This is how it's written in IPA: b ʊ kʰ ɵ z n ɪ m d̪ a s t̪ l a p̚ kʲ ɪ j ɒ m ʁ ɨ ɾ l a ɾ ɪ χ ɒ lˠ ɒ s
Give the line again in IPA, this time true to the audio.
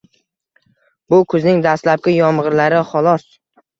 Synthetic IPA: b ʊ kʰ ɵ z n ɪ ŋ d̪ a s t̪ l a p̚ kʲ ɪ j ɒ m ʁ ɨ ɾ l a ɾ ɪ χ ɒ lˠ ɒ s